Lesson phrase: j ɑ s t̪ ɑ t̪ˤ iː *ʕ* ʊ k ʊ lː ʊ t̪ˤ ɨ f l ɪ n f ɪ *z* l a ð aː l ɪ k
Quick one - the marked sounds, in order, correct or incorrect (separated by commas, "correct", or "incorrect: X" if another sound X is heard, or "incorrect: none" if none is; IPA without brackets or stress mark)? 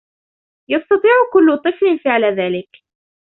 correct, incorrect: ʕ